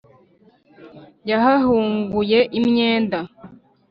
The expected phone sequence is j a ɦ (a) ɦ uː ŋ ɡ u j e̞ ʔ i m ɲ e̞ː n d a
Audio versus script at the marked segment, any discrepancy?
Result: no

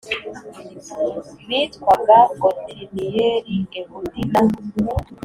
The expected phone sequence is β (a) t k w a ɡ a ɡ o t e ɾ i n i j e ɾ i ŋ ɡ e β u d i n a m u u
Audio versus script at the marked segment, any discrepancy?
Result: yes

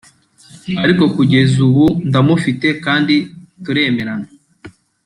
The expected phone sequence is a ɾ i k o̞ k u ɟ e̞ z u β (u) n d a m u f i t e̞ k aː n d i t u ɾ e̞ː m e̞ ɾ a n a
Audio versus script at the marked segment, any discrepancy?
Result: no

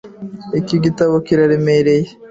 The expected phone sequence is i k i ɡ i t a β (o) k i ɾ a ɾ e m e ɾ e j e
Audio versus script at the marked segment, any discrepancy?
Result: no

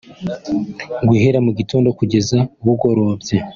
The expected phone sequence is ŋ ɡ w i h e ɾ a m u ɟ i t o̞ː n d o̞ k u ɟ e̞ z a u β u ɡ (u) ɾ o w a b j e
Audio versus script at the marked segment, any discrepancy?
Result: yes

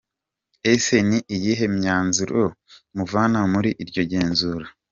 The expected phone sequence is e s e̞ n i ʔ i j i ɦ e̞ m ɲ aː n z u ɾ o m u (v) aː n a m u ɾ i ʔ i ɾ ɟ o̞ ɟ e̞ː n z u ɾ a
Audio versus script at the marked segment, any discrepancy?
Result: no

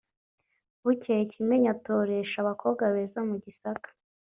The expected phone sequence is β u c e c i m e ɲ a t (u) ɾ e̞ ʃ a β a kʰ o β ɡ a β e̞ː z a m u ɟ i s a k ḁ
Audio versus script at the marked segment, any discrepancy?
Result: yes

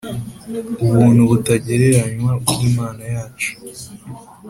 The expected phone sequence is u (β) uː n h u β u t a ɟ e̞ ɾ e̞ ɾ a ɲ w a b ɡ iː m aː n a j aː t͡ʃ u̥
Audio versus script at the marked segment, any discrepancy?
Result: no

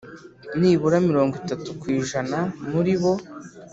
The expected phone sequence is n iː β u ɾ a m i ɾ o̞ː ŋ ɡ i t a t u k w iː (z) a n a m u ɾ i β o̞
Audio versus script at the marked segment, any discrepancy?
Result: yes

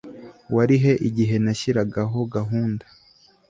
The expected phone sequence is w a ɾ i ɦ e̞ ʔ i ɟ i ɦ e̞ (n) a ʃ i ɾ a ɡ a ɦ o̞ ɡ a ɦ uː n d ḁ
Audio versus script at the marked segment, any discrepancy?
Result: no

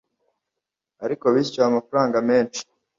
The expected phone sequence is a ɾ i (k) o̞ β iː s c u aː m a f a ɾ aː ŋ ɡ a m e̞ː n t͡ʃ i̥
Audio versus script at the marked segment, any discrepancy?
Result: no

